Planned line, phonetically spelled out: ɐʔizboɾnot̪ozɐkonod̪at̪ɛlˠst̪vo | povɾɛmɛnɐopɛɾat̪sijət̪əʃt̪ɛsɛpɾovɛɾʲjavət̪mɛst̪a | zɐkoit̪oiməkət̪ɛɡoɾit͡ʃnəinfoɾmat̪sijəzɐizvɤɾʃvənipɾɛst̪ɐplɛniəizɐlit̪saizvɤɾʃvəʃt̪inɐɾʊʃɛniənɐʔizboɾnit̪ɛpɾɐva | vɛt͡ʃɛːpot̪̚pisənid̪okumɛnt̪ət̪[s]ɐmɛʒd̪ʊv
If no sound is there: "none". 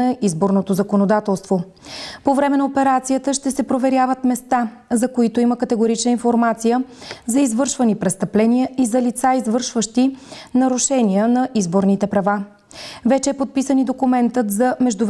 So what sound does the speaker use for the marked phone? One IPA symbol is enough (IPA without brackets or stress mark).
z